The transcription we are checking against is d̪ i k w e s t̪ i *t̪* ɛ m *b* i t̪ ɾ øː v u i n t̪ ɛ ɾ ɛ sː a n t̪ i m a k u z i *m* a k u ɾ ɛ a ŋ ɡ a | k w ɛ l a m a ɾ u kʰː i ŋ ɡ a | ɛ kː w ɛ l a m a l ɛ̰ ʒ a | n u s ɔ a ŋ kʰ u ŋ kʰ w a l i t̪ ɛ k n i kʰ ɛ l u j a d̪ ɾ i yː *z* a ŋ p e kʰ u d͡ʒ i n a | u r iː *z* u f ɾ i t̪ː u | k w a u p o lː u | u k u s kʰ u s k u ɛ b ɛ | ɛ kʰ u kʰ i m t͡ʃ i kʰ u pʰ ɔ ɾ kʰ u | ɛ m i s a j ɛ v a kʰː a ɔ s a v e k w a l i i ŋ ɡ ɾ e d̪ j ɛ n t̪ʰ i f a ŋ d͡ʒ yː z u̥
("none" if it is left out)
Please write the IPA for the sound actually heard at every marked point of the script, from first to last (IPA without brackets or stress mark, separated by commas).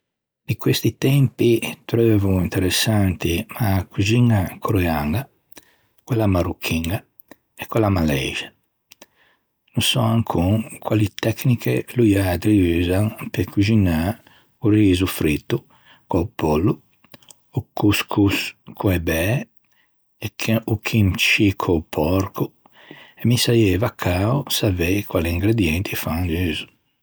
t̪, p, ŋ, z, z